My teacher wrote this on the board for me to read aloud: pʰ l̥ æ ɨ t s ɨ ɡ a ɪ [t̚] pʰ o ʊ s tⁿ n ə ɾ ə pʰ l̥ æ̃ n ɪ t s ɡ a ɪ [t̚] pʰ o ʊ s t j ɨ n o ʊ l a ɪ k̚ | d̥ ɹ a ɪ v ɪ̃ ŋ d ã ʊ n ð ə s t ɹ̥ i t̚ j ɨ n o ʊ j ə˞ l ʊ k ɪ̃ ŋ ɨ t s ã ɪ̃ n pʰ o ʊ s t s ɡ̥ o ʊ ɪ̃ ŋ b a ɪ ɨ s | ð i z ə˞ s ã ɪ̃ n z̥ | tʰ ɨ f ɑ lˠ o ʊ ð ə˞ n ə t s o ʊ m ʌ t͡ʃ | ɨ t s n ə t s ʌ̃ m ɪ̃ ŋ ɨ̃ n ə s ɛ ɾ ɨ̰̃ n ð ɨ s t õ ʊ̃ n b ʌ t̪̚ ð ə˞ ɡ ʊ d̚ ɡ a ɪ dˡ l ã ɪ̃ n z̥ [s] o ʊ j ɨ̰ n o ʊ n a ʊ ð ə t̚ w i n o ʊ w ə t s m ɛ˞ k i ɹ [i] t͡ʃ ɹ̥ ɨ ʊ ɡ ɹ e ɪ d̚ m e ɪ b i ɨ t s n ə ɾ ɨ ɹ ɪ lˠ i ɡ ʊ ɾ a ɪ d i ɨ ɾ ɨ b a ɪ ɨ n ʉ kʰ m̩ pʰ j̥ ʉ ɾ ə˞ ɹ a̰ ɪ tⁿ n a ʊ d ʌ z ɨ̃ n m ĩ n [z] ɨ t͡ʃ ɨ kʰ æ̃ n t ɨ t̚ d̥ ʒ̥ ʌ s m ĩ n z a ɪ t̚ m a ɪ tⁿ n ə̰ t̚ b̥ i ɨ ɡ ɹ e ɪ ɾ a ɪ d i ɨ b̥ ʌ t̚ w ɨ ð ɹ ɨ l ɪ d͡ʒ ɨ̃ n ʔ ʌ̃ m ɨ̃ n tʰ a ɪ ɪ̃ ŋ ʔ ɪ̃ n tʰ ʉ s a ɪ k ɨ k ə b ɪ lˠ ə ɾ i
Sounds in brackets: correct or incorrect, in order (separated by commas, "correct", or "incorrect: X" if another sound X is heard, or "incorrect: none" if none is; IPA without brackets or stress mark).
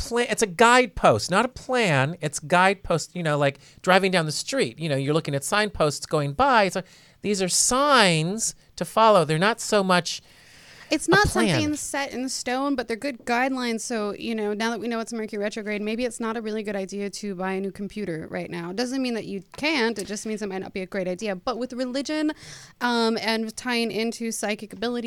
incorrect: d̚, incorrect: d̚, correct, incorrect: ɛ, incorrect: ð